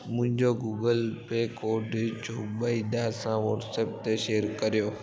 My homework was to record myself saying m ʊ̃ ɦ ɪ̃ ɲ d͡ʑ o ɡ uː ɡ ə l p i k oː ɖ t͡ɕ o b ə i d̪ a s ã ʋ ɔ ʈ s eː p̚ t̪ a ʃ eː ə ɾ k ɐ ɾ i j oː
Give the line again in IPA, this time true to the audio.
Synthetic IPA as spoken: m ʊ̃ ɦ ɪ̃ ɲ d͡ʑ o ɡ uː ɡ ə l p e k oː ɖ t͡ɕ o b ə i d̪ a s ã ʋ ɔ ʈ s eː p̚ t̪ e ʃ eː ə ɾ k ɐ ɾ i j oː